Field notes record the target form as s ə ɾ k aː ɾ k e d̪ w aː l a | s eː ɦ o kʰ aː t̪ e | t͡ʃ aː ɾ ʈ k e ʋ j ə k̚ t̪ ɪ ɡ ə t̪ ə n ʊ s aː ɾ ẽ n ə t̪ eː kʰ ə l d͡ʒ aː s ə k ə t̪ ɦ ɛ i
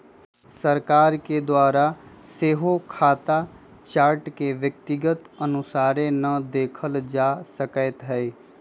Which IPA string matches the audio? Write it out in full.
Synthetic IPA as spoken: s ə ɾ k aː ɾ k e d̪ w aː ɾ a | s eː ɦ o kʰ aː t̪ a | t͡ʃ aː ɾ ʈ k e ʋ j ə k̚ t̪ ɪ ɡ ə t̪ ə n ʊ s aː ɾ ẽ n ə d̪ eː kʰ ə l d͡ʒ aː s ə k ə t̪ ɦ ɛ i